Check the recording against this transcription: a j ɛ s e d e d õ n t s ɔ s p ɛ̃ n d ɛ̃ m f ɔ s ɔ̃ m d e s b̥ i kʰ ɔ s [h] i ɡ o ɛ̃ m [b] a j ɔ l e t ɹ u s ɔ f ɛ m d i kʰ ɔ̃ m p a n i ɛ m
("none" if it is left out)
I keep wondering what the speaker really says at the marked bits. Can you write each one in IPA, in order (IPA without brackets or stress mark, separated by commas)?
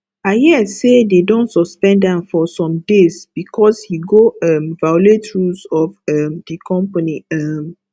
h, v